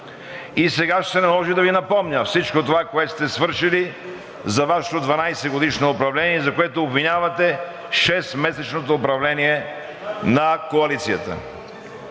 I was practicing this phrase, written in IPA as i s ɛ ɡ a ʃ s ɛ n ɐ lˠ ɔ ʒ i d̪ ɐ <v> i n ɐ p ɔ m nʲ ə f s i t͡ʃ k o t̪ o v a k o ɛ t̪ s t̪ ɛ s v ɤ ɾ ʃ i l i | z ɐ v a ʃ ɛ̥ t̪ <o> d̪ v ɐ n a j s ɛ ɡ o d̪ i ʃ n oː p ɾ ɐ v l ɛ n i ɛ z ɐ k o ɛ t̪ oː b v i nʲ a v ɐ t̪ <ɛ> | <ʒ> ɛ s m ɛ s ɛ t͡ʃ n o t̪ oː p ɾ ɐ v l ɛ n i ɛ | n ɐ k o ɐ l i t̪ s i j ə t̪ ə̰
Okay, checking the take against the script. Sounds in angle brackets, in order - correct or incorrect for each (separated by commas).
correct, correct, correct, incorrect